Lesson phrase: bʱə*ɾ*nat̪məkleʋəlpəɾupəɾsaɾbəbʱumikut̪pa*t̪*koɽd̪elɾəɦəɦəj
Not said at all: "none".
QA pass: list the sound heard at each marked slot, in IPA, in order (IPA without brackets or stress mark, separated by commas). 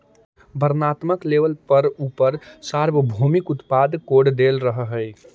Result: ɾ, d̪